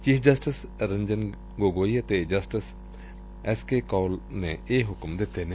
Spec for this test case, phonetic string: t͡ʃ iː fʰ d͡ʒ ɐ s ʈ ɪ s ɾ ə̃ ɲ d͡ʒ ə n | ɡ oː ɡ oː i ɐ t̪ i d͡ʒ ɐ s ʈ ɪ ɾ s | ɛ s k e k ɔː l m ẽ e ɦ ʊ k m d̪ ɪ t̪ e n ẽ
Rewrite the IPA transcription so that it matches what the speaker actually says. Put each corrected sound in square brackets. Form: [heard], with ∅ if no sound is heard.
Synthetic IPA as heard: t͡ʃ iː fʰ d͡ʒ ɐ s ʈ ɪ s ɾ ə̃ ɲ d͡ʒ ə n | ɡ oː ɡ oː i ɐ t̪ [e] d͡ʒ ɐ s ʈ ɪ [∅] s | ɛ s k e k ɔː l [n] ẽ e ɦ ʊ k m d̪ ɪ t̪ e n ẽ